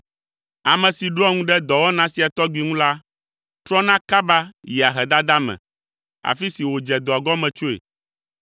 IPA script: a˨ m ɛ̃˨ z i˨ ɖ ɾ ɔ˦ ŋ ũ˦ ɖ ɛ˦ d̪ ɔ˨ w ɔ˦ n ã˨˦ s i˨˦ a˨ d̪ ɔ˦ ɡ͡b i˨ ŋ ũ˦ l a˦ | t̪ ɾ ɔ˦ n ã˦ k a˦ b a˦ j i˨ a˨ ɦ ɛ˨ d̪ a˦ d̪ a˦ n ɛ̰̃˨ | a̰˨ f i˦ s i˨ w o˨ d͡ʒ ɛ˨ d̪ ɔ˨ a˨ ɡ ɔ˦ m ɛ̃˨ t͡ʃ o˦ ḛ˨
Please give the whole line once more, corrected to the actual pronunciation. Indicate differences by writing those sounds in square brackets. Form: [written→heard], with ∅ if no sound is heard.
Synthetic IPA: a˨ m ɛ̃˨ [z→s] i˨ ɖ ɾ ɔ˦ ŋ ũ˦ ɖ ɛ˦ d̪ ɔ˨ w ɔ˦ n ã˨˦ s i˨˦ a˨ [d̪→t̪] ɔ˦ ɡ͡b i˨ ŋ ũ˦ l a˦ | t̪ ɾ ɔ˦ n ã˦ k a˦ b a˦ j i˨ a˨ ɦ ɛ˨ d̪ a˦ d̪ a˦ [n→m] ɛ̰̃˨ | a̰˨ f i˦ s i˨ w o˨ d͡ʒ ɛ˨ d̪ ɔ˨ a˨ ɡ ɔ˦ m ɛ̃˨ t͡ʃ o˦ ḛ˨